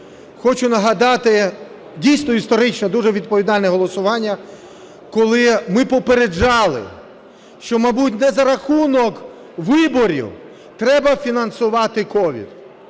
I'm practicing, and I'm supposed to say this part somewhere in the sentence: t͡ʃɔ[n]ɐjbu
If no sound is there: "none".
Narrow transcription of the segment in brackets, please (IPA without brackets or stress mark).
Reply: m